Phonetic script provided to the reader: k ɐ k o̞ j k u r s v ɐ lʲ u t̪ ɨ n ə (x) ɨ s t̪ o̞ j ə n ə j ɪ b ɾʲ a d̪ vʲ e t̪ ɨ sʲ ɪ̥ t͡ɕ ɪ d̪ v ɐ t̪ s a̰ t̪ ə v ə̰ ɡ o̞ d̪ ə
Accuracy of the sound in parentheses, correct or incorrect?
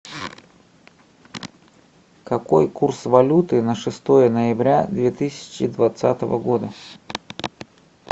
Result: incorrect